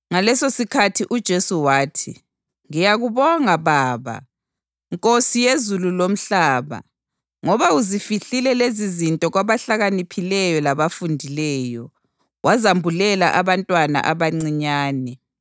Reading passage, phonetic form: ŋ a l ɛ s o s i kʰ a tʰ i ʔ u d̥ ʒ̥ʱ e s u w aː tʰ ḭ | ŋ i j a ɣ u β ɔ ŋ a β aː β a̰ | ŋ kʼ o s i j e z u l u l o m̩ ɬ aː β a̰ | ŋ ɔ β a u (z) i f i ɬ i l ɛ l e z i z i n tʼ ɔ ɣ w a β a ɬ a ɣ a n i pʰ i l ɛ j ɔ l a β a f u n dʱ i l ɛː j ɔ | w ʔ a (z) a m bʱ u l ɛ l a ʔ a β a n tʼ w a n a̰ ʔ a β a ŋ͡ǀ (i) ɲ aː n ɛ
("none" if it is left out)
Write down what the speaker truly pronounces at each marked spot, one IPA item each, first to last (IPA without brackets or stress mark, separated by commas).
z, z, i